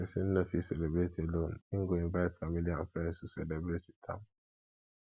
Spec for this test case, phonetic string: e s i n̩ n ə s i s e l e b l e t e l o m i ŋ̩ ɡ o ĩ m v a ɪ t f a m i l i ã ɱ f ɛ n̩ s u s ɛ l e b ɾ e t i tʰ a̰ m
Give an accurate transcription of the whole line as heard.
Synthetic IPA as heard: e s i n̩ n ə f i s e l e b ɾ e t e l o n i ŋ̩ ɡ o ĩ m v a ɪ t f a m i l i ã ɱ f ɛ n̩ s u s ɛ l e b ɾ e t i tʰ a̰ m